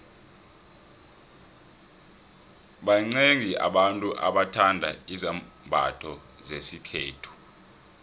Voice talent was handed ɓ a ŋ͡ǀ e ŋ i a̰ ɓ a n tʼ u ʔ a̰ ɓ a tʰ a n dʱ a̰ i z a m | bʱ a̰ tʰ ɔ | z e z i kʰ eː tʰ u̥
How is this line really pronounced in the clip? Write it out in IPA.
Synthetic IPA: ɓ a ŋ͡ǀ e ŋ i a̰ ɓ a n tʼ u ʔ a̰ ɓ a tʰ a n dʱ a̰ i z a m | bʱ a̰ tʰ ɔ | z e s i kʰ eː tʰ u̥